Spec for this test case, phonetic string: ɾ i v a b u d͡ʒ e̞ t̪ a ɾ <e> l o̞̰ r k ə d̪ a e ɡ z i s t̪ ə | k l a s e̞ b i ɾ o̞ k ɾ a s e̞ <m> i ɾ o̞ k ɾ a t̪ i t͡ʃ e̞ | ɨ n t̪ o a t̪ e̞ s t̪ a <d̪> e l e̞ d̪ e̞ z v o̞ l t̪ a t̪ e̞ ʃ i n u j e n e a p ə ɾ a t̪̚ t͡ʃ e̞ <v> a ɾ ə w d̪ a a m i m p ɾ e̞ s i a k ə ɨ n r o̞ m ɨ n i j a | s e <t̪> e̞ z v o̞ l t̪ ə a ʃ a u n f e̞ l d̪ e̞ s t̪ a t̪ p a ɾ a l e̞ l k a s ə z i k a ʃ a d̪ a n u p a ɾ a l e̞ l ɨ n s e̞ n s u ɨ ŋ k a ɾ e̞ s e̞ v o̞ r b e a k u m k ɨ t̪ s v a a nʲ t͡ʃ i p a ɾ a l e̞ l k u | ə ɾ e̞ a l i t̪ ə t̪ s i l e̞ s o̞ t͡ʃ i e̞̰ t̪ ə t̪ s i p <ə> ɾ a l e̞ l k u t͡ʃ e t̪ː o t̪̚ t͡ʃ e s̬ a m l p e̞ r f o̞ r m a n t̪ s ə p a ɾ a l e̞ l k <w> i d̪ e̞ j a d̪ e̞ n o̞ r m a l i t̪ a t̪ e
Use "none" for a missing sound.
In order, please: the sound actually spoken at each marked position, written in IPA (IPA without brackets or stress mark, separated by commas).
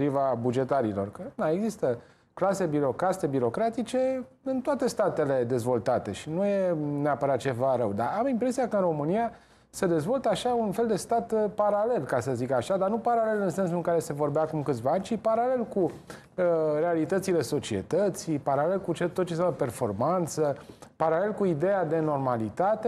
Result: i, b, t̪, v, d̪, a, u